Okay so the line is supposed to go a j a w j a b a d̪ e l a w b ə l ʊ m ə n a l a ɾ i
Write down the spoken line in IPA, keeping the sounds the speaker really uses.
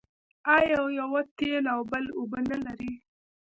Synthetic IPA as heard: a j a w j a w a t̪ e l a w b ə l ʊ b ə n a l a ɾ i